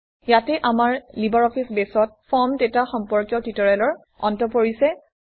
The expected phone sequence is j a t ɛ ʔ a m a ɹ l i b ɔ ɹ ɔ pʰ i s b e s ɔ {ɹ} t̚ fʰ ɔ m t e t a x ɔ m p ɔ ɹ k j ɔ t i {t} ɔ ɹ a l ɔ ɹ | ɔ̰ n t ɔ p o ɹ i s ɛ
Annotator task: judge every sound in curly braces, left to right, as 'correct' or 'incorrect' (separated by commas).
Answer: incorrect, correct